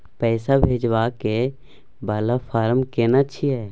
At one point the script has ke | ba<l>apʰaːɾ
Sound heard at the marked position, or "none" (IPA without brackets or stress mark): l